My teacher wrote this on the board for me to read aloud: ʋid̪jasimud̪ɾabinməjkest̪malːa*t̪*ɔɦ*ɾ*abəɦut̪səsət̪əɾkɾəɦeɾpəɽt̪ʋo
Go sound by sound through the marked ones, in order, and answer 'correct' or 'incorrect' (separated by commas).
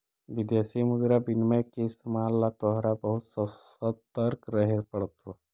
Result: correct, correct